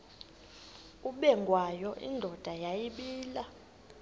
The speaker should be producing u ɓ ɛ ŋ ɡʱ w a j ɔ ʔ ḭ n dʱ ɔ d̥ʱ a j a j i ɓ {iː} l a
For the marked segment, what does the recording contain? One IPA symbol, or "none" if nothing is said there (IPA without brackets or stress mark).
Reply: iː